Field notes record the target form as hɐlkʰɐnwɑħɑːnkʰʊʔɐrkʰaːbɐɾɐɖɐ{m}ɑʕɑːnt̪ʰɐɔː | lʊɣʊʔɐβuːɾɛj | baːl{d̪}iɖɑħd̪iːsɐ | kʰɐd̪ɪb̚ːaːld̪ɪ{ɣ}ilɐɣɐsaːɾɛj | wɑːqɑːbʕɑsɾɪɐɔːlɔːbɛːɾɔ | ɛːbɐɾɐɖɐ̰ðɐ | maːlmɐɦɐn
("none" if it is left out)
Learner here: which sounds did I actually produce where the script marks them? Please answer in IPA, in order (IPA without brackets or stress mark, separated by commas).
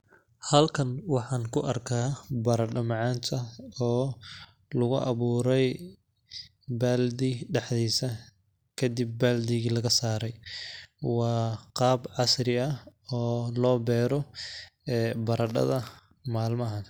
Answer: m, d̪, ɣ